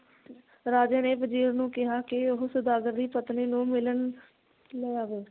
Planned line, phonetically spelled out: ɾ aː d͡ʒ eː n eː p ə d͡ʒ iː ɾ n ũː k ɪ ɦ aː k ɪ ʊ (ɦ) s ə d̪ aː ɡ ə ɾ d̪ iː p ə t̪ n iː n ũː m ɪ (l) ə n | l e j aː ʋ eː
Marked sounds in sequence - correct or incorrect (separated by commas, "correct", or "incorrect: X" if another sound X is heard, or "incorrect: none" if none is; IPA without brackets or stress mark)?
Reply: correct, correct